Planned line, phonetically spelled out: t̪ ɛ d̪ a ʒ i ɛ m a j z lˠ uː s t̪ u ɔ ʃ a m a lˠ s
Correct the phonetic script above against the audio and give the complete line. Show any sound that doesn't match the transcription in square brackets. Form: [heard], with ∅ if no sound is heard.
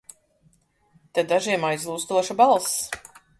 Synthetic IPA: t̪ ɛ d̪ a ʒ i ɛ m a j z lˠ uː s t̪ u ɔ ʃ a [b] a lˠ s